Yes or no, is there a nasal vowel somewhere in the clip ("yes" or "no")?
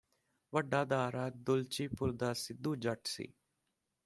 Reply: no